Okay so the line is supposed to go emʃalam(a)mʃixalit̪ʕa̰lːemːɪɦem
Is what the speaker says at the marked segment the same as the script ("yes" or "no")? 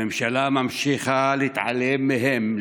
yes